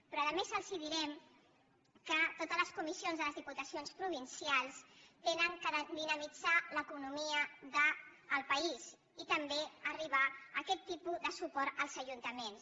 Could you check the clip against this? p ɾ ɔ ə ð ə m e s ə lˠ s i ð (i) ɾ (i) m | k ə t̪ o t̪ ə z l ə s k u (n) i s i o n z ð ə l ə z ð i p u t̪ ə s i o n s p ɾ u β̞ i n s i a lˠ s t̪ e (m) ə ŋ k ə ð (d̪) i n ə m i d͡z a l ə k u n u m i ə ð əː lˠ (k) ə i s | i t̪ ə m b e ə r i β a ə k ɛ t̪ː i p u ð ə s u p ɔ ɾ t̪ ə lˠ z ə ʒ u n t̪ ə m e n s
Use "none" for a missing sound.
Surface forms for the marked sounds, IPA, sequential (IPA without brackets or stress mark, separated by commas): i, ɛ, m, n, d̪, p